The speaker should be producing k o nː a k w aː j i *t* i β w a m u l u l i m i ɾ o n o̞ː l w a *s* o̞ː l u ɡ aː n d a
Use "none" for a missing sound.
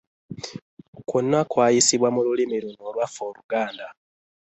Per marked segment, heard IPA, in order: s, f

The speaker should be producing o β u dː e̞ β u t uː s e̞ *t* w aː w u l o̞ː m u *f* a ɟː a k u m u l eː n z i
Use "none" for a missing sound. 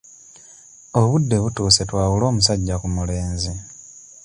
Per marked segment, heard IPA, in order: t, s

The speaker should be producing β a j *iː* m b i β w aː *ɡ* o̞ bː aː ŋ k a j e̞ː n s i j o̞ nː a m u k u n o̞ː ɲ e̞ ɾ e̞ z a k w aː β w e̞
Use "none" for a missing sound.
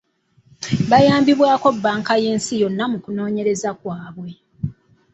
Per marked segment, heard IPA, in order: aː, k

